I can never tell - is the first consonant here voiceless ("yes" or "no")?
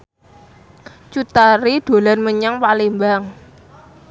yes